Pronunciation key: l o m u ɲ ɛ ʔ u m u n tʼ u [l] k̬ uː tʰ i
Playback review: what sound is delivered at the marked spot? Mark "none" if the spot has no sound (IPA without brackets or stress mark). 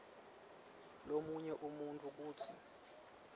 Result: none